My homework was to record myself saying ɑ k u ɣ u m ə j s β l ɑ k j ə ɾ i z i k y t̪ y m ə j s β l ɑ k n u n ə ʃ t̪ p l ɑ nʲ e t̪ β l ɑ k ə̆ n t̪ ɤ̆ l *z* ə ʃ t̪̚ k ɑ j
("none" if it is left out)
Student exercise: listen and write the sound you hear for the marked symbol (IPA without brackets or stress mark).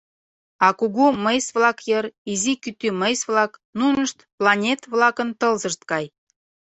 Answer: z